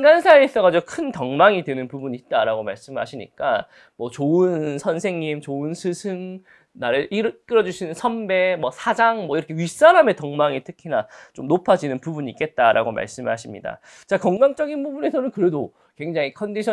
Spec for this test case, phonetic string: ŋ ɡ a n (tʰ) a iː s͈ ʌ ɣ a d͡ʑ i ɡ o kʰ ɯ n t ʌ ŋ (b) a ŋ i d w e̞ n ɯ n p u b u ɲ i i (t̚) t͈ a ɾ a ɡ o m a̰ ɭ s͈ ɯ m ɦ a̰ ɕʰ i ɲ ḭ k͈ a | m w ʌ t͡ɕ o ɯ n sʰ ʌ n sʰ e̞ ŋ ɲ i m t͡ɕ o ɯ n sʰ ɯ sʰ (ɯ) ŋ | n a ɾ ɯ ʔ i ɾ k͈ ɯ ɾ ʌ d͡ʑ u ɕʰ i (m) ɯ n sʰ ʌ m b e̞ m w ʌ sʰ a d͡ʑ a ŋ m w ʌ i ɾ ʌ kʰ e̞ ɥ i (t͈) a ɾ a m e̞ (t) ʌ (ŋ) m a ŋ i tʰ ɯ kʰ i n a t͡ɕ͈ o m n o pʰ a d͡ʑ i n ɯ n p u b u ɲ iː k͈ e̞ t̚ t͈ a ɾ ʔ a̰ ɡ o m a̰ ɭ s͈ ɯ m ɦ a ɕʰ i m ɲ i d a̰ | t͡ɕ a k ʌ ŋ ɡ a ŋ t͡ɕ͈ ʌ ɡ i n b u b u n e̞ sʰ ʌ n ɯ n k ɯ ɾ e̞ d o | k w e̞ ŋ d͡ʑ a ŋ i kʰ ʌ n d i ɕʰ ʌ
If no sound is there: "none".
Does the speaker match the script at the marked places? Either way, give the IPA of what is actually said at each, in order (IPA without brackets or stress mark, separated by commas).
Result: sʰ, m, t̚, ɯ, n, s͈, t, ŋ